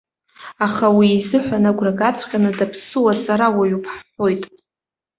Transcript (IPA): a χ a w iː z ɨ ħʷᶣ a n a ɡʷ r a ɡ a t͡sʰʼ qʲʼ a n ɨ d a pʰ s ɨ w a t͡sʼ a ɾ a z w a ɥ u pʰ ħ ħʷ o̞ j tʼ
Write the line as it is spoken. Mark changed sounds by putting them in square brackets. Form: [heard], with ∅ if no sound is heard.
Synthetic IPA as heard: a χ a w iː z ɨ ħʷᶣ a n a ɡʷ r a ɡ a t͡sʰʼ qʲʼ a n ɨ d a pʰ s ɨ w a t͡sʼ a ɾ a [∅] w a ɥ u pʰ ħ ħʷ o̞ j tʼ